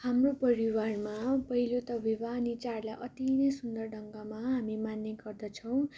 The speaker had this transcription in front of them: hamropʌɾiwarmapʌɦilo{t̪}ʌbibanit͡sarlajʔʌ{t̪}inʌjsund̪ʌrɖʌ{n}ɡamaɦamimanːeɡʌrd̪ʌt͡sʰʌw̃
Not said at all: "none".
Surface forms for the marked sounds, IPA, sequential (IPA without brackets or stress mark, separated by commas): t̪, t̪, ŋ